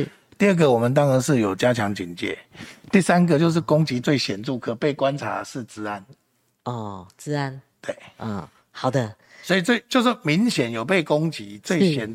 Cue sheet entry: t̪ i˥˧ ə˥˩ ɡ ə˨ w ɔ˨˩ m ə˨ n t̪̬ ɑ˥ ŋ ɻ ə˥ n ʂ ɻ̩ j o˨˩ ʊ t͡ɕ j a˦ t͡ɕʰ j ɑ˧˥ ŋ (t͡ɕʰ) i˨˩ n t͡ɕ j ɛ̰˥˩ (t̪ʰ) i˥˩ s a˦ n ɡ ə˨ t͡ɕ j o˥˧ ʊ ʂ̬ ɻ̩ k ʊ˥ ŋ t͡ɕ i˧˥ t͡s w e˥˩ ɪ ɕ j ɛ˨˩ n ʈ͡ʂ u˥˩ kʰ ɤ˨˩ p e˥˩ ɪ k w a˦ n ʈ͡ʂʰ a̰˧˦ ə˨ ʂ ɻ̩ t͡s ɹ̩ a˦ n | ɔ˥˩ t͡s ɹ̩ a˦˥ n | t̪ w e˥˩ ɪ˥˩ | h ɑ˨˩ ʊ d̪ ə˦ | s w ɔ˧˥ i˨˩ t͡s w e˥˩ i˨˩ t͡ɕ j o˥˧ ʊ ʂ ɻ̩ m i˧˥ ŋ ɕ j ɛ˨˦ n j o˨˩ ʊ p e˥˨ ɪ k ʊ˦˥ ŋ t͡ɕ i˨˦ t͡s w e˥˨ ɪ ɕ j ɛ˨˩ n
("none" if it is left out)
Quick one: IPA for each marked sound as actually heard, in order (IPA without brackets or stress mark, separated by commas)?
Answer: t͡ɕ, t̪